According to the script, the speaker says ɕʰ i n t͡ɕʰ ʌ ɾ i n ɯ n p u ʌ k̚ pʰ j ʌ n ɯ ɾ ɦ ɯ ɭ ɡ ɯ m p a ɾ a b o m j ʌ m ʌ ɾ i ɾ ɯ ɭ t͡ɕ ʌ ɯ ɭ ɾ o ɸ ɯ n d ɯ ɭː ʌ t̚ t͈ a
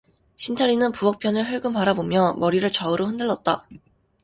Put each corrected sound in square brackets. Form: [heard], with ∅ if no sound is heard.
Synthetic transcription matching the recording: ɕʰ i n t͡ɕʰ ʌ ɾ i n ɯ n p u ʌ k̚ pʰ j ʌ n ɯ [ɭ] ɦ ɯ ɭ ɡ ɯ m p a ɾ a b o m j ʌ m ʌ ɾ i ɾ ɯ ɭ t͡ɕ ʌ ɯ [∅] ɾ o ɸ ɯ n d ɯ ɭː ʌ t̚ t͈ a